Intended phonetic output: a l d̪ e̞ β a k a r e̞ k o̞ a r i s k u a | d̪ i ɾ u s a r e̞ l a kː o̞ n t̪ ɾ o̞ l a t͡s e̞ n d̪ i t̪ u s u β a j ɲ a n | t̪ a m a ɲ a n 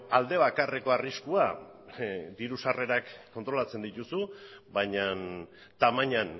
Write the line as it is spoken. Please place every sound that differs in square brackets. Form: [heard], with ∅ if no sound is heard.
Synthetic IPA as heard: a l d̪ e̞ β a k a r e̞ k o̞ a r i s k u a | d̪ i ɾ u s a r e̞ [ɾ] a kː o̞ n t̪ ɾ o̞ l a t͡s e̞ n d̪ i t̪ u s u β a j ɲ a n | t̪ a m a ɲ a n